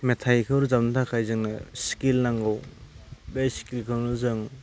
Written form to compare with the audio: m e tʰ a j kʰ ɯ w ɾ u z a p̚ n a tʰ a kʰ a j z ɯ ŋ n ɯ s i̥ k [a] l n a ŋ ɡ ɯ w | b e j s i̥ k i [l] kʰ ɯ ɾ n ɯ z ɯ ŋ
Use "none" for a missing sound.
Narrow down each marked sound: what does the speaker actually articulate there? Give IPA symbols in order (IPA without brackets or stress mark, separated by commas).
i, l